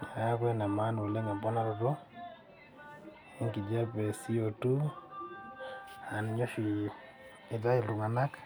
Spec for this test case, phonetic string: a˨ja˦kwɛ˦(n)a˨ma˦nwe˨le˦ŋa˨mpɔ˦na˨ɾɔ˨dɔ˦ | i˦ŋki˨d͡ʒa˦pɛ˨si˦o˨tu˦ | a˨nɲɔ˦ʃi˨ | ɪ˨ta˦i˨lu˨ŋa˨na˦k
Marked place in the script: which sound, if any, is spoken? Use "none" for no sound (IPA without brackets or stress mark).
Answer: n